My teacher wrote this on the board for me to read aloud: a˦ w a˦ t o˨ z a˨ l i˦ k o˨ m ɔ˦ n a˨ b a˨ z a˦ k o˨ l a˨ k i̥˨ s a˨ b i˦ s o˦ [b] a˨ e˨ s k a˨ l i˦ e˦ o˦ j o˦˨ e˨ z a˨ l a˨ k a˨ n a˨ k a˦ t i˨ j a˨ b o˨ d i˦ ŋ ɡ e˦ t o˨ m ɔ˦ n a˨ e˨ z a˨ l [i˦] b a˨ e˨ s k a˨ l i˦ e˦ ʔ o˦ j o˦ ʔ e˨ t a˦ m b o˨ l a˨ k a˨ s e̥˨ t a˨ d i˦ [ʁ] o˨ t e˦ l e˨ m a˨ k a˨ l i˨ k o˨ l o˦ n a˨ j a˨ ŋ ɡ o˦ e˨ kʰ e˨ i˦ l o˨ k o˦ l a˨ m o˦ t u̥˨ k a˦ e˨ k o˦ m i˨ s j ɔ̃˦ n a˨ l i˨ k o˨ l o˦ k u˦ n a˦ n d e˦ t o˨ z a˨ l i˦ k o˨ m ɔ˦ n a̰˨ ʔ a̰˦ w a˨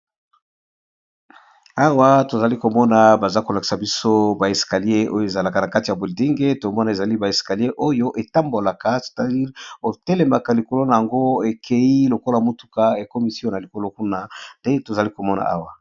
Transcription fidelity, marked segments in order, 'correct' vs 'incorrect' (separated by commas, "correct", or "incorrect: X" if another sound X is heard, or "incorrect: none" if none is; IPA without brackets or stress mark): correct, correct, correct